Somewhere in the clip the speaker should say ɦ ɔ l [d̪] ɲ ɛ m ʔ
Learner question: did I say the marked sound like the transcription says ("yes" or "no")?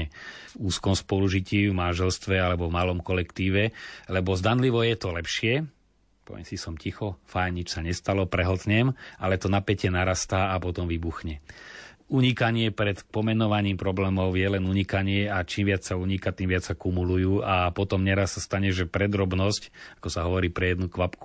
no